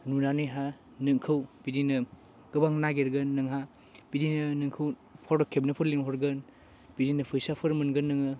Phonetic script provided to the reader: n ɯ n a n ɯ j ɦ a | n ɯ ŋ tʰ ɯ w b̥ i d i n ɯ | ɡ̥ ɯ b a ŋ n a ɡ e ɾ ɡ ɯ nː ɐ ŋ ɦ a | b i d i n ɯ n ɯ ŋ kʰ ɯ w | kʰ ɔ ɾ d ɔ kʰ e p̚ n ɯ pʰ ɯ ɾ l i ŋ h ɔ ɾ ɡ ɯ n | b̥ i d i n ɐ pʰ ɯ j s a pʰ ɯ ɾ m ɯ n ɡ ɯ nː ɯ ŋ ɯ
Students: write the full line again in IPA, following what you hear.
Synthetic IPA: n u n a n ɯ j ɦ a | n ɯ ŋ kʰ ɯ w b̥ i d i n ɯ | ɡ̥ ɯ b a ŋ n a ɡ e ɾ ɡ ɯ nː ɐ ŋ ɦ a | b i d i n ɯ n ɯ ŋ kʰ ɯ w | pʰ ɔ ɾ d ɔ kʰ e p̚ n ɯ pʰ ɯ ɾ l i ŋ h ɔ ɾ ɡ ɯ n | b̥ i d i n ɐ pʰ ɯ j s a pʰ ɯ ɾ m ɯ n ɡ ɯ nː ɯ ŋ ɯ